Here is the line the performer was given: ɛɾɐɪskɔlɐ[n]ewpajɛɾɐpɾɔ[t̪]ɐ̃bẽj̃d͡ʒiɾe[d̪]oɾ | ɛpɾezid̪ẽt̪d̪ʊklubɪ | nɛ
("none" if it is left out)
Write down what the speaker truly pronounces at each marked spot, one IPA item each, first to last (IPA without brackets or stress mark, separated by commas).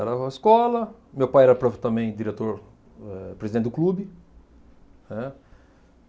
m, t̪, t̪